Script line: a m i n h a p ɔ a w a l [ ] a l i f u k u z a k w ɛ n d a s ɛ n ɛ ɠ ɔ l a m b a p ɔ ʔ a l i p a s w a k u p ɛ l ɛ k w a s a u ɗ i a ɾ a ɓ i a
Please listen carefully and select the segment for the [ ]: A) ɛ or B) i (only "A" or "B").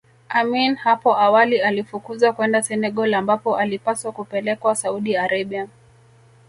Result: B